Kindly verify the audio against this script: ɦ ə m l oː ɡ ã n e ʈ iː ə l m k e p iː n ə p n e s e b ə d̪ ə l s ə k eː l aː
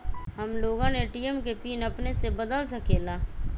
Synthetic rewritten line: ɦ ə m l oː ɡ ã n e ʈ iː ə m k e p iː n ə p n e s e b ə d̪ ə l s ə k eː l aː